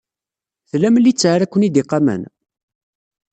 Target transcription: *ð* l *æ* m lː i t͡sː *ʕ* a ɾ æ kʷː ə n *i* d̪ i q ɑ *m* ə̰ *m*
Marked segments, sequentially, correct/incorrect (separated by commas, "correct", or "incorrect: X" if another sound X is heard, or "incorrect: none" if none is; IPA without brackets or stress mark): incorrect: θ, correct, correct, correct, correct, incorrect: n